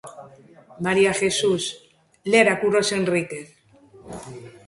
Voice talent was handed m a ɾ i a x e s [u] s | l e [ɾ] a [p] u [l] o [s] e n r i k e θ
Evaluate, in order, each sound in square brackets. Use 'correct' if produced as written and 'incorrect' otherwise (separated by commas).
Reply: correct, correct, incorrect, incorrect, correct